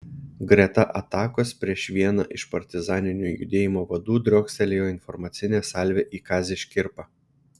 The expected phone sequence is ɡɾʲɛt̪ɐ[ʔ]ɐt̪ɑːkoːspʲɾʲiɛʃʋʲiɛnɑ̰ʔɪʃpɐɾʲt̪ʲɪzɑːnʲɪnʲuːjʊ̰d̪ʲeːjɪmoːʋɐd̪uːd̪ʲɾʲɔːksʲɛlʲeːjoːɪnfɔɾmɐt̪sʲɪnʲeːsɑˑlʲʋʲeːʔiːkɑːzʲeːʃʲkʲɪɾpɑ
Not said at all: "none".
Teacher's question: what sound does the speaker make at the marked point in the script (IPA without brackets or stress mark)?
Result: ʔ